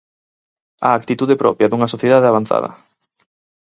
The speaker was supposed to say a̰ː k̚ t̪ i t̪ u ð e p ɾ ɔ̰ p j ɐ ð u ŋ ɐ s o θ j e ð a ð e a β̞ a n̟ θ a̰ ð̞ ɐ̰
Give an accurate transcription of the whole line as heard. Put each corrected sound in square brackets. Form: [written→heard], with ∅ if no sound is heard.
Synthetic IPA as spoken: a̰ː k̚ t̪ i t̪ u ð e p ɾ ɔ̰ p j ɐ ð u ŋ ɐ s o θ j e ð a ð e a β̞ a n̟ θ a̰ ð̞ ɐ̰